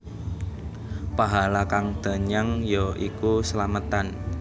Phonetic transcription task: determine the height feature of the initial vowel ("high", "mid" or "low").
low